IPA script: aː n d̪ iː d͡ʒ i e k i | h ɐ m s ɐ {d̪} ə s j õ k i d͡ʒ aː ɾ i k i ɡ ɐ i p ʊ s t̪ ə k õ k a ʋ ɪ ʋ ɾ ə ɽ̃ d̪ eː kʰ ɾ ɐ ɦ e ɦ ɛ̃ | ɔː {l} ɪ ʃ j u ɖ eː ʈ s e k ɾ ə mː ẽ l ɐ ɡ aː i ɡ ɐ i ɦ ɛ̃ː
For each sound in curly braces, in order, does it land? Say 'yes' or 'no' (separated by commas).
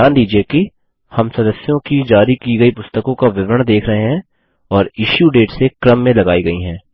yes, no